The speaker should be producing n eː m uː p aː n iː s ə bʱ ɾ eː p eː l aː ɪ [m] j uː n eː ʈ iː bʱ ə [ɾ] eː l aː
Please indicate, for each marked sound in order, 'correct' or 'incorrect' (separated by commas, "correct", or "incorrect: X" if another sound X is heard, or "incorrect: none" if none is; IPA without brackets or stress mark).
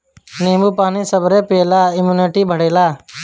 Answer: correct, incorrect: ɽ